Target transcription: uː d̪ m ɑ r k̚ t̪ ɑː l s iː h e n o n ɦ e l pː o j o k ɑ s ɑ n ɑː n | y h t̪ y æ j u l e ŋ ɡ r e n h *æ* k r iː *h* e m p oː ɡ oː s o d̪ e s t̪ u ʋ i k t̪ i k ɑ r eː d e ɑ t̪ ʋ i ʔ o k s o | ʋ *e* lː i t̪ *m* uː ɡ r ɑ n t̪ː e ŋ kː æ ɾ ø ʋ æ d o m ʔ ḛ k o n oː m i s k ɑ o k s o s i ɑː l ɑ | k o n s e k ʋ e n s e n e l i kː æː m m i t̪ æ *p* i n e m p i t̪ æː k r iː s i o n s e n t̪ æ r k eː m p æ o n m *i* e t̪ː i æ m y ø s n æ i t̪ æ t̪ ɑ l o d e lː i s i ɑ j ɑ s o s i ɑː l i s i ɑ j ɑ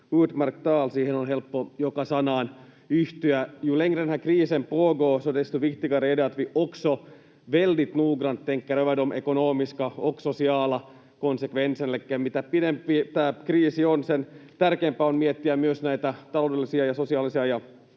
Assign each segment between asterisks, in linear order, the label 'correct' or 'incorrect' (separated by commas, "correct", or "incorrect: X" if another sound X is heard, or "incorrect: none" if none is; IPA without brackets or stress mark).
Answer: correct, incorrect: s, correct, incorrect: n, correct, correct